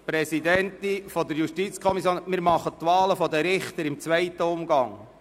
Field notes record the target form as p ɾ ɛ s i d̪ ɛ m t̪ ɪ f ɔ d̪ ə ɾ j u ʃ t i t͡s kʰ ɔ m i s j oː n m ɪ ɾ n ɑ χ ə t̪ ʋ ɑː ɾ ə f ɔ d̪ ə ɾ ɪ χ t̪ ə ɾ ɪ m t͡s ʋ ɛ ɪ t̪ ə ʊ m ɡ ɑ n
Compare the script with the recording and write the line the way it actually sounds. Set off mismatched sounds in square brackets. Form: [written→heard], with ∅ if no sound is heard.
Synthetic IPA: p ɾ ɛ s i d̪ ɛ [m→n] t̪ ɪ f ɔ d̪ ə ɾ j u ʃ t i t͡s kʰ ɔ m i s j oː n m ɪ ɾ [n→m] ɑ χ ə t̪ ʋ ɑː [ɾ→l] ə f ɔ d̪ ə ɾ ɪ χ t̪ ə ɾ ɪ m t͡s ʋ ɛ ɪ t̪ ə ʊ m ɡ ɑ [n→ŋ]